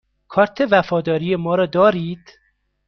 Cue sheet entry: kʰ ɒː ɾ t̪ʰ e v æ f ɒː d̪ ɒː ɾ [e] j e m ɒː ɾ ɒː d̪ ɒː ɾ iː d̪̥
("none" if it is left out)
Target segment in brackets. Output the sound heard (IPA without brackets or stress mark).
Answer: i